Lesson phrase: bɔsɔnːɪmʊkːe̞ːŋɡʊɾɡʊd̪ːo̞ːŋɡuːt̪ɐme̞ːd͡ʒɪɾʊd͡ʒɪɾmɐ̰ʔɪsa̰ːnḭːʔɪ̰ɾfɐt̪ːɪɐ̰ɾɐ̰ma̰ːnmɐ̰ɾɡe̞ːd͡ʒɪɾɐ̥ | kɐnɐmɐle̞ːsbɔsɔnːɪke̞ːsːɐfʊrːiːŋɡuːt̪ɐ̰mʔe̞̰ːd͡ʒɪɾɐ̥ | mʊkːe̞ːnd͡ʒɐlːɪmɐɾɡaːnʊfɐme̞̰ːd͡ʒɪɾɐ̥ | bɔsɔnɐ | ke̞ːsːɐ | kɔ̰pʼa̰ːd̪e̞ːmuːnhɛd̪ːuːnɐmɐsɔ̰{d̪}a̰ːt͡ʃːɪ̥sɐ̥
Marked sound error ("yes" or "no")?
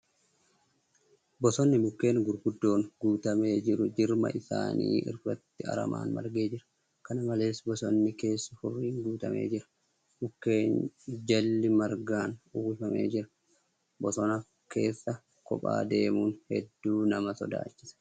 no